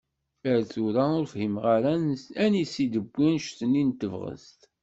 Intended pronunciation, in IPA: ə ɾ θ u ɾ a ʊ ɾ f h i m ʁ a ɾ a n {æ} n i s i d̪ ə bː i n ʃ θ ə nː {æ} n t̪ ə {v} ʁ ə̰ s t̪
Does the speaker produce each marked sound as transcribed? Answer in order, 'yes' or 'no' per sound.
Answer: yes, no, yes

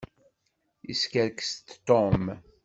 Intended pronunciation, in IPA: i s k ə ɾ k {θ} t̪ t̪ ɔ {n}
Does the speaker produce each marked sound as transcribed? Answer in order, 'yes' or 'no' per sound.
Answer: no, no

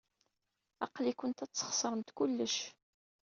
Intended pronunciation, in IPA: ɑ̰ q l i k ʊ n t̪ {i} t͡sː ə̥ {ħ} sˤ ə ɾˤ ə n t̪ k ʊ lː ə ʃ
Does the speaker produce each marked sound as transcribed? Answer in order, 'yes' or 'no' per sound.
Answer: no, no

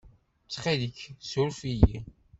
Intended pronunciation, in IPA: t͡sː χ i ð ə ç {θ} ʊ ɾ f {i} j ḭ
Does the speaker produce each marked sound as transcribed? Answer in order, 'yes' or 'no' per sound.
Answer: no, yes

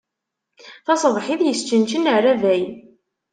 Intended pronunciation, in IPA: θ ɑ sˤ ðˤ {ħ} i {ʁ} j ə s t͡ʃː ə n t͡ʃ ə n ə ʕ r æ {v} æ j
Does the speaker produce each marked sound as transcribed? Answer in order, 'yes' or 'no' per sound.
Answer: yes, no, yes

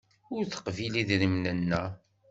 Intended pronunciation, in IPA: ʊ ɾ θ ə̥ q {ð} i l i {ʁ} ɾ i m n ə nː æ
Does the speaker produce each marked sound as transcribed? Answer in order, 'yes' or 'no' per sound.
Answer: no, no

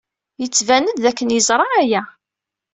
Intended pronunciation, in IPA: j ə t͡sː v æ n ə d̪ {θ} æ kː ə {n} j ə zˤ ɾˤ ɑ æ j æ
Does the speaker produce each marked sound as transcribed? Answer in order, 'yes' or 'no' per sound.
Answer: no, yes

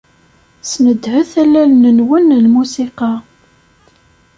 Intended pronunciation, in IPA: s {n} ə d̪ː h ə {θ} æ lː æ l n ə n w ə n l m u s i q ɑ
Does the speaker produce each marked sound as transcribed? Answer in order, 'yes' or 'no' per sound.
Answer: yes, yes

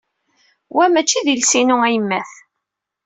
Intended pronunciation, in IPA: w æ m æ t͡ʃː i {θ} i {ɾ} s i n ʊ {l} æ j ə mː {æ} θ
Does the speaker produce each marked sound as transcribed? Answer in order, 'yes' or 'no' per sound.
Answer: no, no, no, yes

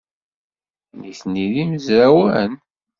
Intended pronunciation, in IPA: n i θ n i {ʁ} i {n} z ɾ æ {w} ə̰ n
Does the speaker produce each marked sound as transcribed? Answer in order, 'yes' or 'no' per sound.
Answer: no, no, yes

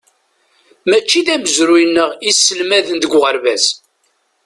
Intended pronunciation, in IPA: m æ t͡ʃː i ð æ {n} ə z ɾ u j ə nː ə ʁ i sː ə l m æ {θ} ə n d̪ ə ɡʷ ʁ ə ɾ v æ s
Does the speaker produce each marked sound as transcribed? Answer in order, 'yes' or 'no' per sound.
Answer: no, no

